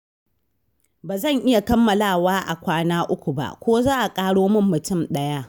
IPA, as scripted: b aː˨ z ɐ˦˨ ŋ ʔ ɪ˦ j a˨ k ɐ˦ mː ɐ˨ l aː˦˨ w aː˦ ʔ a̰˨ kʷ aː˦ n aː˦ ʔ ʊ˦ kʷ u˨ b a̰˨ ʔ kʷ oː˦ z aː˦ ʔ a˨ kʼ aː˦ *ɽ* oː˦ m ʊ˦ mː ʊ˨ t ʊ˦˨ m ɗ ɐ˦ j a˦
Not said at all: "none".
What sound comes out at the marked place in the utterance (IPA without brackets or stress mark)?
ɽ